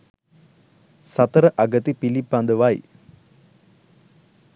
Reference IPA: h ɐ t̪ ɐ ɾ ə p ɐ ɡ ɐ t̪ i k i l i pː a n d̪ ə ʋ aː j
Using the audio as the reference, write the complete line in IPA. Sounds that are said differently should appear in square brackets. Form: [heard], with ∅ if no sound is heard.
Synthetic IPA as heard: [s] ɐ t̪ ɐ ɾ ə [ʔ] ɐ ɡ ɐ t̪ i [p] i l i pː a n d̪ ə ʋ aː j